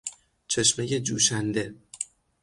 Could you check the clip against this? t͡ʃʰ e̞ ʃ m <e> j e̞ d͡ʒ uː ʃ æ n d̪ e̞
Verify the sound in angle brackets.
correct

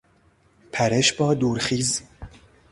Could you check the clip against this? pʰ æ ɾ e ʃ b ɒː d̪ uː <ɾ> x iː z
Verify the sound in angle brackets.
correct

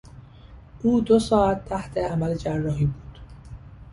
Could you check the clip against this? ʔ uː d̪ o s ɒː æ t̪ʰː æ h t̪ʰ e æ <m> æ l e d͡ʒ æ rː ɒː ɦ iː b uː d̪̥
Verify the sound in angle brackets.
correct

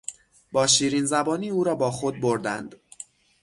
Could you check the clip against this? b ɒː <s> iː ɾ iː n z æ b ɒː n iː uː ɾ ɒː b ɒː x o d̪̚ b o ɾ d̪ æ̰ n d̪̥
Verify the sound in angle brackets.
incorrect: ʃ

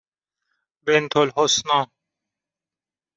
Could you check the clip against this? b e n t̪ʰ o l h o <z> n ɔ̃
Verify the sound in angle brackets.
incorrect: s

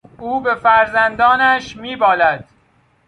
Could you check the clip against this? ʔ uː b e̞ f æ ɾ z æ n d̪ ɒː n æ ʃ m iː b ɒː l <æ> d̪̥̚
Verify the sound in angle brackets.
correct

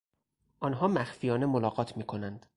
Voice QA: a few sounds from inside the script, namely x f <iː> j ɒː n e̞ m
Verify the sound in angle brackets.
incorrect: i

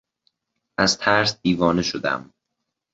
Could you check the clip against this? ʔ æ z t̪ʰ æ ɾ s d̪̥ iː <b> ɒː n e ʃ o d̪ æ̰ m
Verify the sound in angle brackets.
incorrect: v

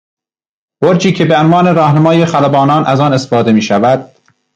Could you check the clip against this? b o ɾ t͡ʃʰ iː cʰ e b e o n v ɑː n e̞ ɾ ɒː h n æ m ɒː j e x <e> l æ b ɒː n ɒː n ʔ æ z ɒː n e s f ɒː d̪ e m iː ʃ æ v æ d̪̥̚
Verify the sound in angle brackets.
incorrect: æ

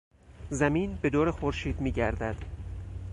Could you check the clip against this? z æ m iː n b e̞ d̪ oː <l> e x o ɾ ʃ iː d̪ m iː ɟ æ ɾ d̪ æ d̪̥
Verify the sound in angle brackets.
incorrect: ɾ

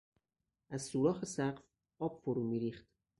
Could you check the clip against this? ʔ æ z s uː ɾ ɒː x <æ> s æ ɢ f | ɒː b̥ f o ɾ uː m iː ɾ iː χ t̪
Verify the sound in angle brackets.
incorrect: e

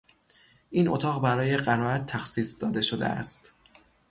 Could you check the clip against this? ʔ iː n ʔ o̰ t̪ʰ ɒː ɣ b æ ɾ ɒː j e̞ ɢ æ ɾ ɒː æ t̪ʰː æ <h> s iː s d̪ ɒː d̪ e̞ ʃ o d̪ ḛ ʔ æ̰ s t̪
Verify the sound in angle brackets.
incorrect: x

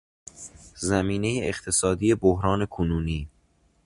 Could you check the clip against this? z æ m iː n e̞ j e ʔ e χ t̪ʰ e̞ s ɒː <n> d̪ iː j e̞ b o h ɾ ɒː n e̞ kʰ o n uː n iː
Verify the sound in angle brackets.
incorrect: none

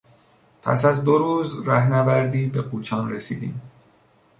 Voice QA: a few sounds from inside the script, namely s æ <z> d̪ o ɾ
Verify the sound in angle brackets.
correct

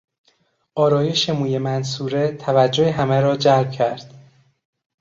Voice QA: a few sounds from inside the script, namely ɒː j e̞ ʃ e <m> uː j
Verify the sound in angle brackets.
correct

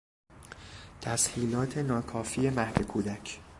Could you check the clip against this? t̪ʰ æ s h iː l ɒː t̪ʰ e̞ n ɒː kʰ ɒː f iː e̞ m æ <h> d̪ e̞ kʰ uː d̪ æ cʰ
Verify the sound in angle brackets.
correct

